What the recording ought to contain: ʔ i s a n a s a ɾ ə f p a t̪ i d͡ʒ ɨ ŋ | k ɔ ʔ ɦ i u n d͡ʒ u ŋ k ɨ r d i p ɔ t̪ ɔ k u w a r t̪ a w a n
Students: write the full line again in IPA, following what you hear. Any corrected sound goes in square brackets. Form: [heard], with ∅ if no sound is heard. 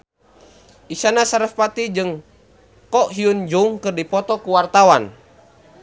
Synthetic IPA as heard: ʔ i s a n a s a ɾ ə f p a t̪ i d͡ʒ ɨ ŋ | k ɔ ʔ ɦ i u n d͡ʒ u ŋ k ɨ r d i p ɔ t̪ ɔ k u w a r t̪ a w a n